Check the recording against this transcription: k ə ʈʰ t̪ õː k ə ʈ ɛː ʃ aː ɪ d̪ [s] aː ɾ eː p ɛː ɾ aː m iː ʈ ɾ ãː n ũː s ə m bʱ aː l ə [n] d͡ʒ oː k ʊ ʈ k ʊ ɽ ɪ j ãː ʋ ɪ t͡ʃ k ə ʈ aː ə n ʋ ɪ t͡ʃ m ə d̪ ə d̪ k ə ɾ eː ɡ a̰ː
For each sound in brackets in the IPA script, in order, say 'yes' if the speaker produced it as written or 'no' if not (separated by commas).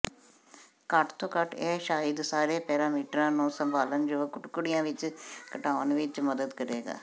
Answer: yes, yes